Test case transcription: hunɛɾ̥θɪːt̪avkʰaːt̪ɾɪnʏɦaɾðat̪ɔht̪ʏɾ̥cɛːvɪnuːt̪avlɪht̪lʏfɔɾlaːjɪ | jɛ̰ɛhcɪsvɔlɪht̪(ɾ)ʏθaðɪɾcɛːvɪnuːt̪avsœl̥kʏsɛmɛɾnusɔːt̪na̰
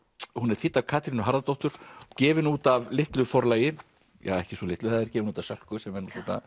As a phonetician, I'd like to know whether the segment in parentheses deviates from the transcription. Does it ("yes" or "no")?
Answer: yes